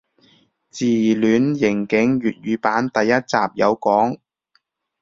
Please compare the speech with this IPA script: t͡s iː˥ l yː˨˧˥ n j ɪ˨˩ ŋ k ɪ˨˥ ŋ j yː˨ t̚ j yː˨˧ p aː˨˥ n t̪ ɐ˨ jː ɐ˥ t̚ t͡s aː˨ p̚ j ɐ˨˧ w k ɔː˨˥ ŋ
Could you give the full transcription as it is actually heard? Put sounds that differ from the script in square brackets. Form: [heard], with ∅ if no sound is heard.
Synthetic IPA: t͡s [iː˨˩] l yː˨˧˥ n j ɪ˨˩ ŋ k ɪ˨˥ ŋ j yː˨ t̚ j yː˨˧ p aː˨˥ n t̪ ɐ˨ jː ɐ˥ t̚ t͡s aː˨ p̚ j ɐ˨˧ w k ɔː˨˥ ŋ